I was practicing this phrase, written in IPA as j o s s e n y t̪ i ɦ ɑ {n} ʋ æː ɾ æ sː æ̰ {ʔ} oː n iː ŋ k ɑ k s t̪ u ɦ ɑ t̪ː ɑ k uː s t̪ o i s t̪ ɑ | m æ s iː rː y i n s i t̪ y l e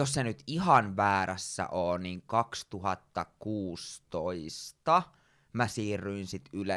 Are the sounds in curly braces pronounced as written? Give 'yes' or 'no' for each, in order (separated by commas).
yes, yes